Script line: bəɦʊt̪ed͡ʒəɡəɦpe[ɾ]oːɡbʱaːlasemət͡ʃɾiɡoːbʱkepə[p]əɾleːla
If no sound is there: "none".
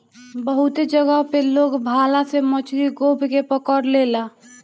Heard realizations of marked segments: l, k

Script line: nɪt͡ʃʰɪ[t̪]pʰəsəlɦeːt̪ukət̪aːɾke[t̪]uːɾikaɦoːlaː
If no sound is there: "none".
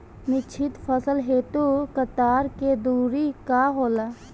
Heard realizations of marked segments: t̪, d̪

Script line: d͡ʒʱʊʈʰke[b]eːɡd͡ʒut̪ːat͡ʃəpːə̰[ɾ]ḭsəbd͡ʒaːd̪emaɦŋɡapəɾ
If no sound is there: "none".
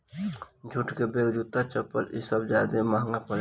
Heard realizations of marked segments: b, l

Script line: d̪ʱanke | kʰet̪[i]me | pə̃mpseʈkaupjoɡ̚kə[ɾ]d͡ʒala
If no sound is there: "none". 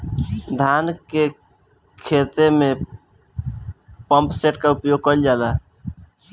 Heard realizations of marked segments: e, l

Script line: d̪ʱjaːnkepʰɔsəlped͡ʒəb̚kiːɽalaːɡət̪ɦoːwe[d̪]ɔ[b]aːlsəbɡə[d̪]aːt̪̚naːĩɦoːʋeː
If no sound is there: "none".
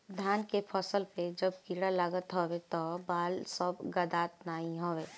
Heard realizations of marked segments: t̪, b, d̪

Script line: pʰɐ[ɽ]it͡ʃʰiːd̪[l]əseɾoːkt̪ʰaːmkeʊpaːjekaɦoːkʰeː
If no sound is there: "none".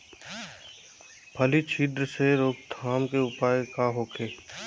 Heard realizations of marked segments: l, ɾ

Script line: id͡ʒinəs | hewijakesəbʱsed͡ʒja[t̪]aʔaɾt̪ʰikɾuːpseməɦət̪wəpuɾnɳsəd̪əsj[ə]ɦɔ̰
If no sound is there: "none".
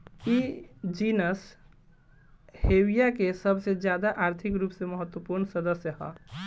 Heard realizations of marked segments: d̪, ə

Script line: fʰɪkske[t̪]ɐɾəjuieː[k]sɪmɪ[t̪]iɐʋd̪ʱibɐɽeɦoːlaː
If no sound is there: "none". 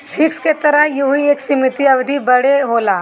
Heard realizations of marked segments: t̪, k, t̪

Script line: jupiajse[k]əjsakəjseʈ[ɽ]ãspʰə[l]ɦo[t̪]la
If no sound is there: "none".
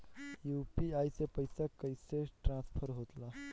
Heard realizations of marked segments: p, ɾ, ɾ, t̪

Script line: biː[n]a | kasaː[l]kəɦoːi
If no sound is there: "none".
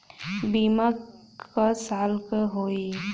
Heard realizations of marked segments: m, l

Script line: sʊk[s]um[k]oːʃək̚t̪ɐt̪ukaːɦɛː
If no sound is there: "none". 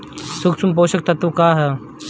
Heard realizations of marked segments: s, p

